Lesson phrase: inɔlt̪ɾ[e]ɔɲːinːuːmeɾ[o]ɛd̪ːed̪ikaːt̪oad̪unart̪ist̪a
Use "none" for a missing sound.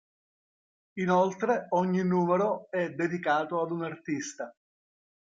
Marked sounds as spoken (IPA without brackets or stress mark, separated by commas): e, o